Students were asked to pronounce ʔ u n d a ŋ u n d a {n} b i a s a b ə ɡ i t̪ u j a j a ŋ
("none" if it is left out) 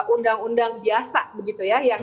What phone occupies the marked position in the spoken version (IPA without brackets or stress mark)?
ŋ